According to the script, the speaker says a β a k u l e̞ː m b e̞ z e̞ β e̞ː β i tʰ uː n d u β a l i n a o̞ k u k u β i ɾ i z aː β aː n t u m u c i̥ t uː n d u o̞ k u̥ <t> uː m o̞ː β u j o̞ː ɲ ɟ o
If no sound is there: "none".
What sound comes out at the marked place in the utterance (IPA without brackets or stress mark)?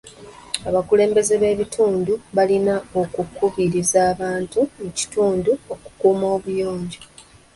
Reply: k